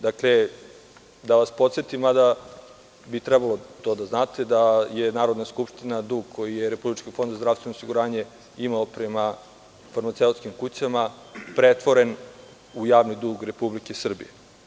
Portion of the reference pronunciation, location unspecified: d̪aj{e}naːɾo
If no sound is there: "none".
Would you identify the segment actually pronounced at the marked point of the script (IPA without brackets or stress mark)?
e